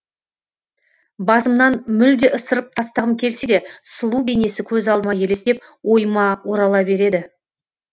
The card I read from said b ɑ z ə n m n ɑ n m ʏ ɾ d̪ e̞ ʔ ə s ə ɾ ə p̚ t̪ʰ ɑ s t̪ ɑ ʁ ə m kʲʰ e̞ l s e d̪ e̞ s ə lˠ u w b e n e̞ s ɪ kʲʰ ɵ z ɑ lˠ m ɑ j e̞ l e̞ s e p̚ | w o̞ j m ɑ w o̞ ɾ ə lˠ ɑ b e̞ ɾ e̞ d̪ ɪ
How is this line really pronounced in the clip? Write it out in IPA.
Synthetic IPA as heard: b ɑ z ə m n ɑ n m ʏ l d̪ e̞ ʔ ə s ə ɾ ə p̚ t̪ʰ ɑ s t̪ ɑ ʁ ə m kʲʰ e̞ l s e d̪ e̞ s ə lˠ u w b e n e̞ s ɪ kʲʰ ɵ z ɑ lˠ m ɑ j e̞ l e̞ s e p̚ | w o̞ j m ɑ w o̞ ɾ ɑ lˠ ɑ b e̞ ɾ e̞ d̪ ɪ